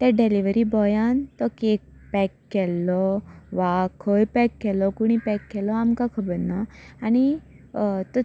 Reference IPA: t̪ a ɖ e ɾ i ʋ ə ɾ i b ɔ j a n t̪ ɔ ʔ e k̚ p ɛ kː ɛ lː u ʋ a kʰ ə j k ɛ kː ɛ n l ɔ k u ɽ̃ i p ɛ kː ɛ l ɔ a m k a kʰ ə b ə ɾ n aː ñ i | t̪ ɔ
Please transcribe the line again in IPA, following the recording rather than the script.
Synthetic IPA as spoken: t̪ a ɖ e l i ʋ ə ɾ i b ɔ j a n t̪ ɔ k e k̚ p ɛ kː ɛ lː ɔ ʋ a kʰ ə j p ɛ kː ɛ l ɔ k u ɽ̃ i p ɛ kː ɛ l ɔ a m k a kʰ ə b ə ɾ n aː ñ i | t̪ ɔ